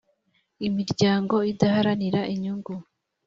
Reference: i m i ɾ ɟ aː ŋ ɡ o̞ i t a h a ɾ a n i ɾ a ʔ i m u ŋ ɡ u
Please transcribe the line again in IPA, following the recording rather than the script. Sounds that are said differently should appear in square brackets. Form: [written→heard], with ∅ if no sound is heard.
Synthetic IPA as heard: i m i ɾ ɟ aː ŋ ɡ o̞ i [t→d] a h a ɾ a n i ɾ a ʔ i [m→ɲ] u ŋ ɡ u